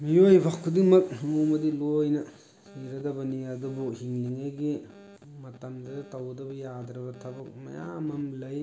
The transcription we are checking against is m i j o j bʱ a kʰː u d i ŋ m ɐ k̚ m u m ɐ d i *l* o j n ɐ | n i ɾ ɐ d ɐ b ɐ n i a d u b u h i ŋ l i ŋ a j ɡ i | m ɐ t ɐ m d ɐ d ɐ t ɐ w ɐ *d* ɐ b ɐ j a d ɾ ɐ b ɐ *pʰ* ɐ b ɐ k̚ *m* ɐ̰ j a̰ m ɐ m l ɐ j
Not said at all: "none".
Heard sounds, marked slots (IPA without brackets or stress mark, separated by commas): l, d, tʰ, m